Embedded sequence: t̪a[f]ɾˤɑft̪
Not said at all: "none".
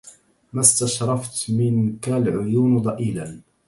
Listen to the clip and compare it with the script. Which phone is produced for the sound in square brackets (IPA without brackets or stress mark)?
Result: ʃ